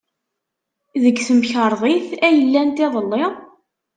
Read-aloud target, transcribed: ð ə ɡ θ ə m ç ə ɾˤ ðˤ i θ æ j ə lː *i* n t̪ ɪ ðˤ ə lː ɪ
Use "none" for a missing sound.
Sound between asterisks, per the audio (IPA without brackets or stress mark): æ